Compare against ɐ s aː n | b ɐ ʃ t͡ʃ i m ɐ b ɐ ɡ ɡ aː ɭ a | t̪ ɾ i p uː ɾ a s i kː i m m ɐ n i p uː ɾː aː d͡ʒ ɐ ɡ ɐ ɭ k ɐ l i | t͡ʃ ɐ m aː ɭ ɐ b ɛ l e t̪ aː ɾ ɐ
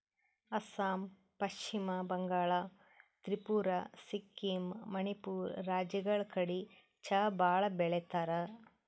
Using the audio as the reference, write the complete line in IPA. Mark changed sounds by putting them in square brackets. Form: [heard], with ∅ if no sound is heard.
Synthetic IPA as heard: ɐ s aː [m] | [p] ɐ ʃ t͡ʃ i m ɐ b ɐ [ŋ] ɡ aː ɭ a | t̪ ɾ i p uː ɾ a s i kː i m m ɐ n i p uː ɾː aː d͡ʒ ɐ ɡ ɐ ɭ k ɐ [ɽ] i | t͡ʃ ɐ [b] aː ɭ ɐ b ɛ [ɭ] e t̪ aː ɾ ɐ